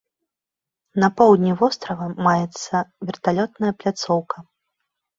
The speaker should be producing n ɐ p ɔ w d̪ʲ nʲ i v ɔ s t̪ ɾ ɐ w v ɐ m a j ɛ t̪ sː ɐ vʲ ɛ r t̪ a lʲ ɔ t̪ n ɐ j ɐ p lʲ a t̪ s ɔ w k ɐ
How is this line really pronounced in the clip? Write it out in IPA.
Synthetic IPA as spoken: n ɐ p ɔ w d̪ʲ nʲ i v ɔ s t̪ ɾ ɐ v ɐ m a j ɛ t̪ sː ɐ vʲ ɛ r t̪ a lʲ ɔ t̪ n ɐ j ɐ p lʲ a t̪ s ɔ w k ɐ

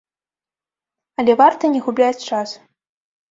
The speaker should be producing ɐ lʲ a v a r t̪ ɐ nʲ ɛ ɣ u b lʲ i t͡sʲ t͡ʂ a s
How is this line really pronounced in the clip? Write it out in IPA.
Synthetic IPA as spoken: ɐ lʲ ɛ v a r t̪ ɐ nʲ ɛ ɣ u b lʲ a t͡sʲ t͡ʂ a s

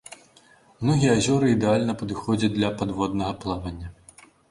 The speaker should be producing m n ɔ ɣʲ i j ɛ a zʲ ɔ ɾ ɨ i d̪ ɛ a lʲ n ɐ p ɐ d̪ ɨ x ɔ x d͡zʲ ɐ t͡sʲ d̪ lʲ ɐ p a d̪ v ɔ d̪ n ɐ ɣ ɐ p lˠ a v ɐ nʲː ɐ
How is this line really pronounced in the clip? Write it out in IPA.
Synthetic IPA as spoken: m n ɔ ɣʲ i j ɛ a zʲ ɔ ɾ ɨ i d̪ ɛ a lʲ n ɐ p ɐ d̪ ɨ x ɔ d͡zʲ ɐ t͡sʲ d̪ lʲ ɐ p a d̪ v ɔ d̪ n ɐ ɣ ɐ p lˠ a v ɐ nʲː ɐ

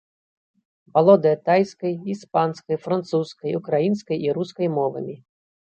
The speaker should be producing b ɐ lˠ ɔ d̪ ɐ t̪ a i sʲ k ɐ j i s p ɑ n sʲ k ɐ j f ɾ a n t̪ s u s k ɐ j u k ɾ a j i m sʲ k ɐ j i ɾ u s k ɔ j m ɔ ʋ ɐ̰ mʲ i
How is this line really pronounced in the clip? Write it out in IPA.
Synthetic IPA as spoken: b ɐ lˠ ɔ d̪ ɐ t̪ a j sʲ k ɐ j i s p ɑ n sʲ k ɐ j f ɾ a n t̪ s u s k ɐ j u k ɾ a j i n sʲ k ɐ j i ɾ u s k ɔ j m ɔ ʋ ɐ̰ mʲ i

